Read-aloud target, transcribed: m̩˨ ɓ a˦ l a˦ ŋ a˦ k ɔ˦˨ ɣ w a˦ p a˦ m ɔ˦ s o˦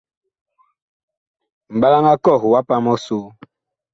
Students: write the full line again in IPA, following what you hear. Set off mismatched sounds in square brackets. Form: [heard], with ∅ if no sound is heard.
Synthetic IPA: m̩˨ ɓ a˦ l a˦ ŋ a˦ k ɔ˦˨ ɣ w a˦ p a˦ m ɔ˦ s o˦